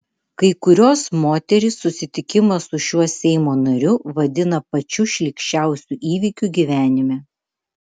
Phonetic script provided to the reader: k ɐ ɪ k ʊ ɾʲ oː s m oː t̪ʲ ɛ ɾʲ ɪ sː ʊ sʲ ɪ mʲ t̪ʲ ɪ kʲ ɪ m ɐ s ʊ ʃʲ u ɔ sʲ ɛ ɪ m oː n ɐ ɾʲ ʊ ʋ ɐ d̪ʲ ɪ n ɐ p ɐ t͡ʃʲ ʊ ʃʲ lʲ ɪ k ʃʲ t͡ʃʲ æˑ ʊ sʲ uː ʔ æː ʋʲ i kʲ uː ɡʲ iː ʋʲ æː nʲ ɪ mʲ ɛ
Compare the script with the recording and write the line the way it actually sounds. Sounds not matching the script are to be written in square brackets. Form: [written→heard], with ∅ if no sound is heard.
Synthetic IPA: k ɐ ɪ k ʊ ɾʲ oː s m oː t̪ʲ ɛ ɾʲ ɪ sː ʊ sʲ ɪ [mʲ→∅] t̪ʲ ɪ kʲ ɪ m ɐ s ʊ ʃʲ u ɔ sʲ ɛ ɪ m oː n ɐ ɾʲ ʊ ʋ ɐ d̪ʲ ɪ n ɐ p ɐ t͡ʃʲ ʊ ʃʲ lʲ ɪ k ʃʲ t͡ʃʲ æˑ ʊ sʲ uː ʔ [æː→iː] ʋʲ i kʲ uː ɡʲ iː ʋʲ æː nʲ ɪ mʲ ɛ